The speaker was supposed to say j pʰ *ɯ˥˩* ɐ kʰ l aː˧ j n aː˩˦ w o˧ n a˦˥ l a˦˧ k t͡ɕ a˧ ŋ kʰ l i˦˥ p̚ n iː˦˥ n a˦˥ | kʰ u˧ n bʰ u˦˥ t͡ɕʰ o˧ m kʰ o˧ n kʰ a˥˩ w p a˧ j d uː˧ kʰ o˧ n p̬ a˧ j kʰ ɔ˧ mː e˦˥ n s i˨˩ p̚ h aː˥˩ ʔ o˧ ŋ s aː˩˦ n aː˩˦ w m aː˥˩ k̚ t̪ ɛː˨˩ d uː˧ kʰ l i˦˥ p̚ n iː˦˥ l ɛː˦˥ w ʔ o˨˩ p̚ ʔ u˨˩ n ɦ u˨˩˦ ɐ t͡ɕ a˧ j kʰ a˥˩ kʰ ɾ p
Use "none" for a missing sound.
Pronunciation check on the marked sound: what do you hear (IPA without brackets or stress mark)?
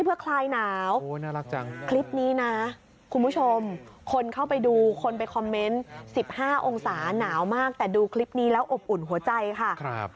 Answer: ɯ˦˥